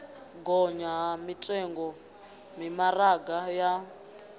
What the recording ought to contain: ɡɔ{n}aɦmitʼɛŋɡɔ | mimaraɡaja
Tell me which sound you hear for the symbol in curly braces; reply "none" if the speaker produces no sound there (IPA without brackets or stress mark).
ɲ